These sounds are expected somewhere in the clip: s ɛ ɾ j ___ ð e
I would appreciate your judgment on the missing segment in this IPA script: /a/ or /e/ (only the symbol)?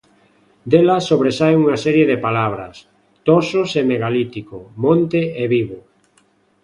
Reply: e